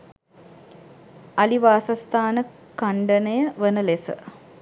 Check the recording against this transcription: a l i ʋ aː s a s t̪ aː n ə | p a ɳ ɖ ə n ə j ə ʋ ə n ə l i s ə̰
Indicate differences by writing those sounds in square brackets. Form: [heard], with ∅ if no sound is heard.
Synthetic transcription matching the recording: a l i ʋ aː s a s t̪ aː n ə | [k] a ɳ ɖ ə n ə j ə ʋ ə n ə l [e] s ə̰